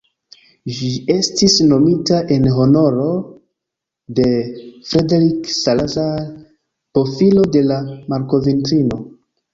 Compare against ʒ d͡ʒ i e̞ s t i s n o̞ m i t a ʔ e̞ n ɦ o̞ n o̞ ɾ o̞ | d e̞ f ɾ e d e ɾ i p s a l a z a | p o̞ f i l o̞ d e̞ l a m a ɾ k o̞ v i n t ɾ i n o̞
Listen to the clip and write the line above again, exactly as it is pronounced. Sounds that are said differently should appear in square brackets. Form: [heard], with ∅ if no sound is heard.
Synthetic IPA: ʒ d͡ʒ i e̞ s t i s n o̞ m i t a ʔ e̞ n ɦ o̞ n o̞ ɾ o̞ | d e̞ f ɾ e d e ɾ i [k] s a l a z a | p o̞ f i l o̞ d e̞ l a m a ɾ k o̞ v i n t ɾ i n o̞